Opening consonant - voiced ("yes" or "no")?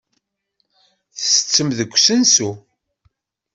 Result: no